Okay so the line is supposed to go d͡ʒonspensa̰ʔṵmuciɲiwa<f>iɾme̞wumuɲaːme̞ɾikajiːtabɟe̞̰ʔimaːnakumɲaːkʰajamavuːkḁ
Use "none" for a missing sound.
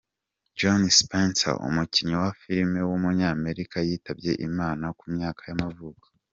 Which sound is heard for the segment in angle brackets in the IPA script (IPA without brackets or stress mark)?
f